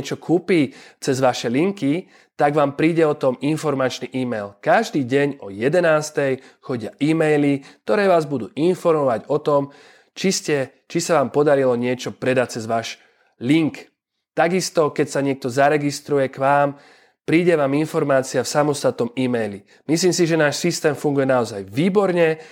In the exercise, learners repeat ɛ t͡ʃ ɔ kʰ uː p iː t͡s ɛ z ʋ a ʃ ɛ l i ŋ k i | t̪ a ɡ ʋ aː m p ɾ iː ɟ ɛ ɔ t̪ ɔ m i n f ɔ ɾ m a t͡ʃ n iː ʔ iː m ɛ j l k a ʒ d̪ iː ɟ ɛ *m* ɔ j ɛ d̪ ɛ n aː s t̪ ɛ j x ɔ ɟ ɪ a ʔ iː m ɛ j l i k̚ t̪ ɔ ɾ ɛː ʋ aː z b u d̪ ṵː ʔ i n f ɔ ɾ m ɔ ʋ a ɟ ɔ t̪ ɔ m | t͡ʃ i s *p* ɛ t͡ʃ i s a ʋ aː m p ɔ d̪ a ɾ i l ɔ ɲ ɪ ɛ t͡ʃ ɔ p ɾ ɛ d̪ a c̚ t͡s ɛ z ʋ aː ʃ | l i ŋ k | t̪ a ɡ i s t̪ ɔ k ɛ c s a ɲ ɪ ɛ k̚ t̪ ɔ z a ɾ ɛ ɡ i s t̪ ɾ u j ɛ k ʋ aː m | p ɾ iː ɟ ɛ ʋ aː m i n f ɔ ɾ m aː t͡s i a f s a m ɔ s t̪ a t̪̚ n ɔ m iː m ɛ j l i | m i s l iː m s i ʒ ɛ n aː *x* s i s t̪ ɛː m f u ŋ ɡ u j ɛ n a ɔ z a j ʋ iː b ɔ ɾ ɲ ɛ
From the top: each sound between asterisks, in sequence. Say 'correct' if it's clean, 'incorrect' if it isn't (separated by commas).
incorrect, incorrect, incorrect